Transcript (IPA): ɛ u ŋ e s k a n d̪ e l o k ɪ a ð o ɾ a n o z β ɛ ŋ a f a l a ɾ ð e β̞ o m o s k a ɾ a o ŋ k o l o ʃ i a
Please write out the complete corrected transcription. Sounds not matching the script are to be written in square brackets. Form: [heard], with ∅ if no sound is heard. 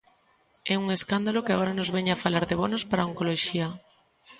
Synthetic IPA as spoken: ɛ u ŋ e s k a n d̪ [a] l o k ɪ a [ɣ] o ɾ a n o z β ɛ [ɲ] a f a l a ɾ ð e β̞ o [n] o s [p] a ɾ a o ŋ k o l o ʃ i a